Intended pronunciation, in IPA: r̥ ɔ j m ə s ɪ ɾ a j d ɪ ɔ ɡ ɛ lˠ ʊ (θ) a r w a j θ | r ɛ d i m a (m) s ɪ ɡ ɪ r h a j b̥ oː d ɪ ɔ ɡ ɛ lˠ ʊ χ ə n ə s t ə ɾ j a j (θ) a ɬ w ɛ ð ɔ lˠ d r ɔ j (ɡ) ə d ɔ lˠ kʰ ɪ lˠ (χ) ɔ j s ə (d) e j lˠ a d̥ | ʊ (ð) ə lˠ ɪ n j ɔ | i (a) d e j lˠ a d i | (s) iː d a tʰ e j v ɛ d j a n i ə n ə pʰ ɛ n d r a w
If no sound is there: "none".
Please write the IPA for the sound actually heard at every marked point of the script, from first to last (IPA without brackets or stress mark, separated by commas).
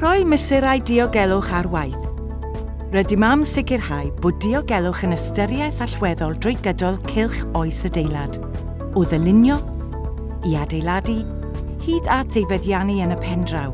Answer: χ, m, θ, ɡ, χ, d, ð, a, h